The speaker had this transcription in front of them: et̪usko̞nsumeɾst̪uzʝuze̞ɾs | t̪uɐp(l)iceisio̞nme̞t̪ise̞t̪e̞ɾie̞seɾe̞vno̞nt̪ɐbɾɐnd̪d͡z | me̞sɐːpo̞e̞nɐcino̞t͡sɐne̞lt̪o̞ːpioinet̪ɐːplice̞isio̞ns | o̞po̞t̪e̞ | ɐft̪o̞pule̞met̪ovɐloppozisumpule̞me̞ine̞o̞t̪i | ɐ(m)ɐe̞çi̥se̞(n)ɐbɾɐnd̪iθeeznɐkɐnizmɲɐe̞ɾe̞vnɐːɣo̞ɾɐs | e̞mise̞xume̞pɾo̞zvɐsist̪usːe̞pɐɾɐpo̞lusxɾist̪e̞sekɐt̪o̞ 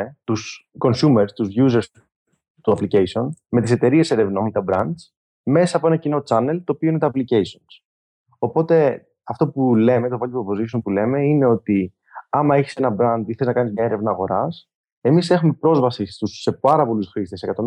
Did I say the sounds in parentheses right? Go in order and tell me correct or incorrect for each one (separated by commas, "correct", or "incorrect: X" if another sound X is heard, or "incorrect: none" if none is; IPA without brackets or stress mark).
correct, correct, correct